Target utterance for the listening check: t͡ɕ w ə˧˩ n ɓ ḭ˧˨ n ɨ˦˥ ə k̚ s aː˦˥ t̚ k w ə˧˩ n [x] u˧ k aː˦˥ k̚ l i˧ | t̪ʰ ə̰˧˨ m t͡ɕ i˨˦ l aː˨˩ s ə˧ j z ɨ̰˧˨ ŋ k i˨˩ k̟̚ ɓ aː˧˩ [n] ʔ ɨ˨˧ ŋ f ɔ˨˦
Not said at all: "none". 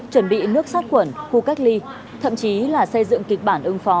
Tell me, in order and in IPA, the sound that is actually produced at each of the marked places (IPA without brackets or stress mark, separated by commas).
x, n